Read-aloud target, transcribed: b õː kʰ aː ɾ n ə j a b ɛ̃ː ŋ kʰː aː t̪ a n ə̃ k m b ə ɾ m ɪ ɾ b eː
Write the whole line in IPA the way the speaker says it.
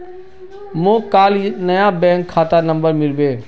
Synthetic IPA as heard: m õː k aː l n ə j a b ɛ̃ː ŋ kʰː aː t̪ a n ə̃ m b ə ɾ m ɪ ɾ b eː